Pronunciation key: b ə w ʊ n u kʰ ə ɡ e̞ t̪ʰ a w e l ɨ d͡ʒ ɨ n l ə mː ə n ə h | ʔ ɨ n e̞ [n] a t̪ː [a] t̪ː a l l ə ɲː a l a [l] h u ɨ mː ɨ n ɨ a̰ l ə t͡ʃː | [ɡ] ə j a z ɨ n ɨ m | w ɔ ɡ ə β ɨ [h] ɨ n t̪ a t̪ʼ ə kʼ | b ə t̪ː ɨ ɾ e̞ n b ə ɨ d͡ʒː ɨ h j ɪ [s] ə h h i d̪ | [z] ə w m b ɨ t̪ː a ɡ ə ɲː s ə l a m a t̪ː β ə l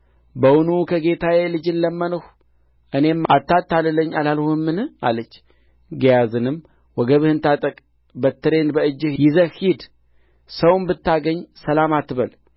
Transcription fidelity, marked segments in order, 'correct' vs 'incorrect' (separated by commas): incorrect, correct, correct, correct, correct, incorrect, incorrect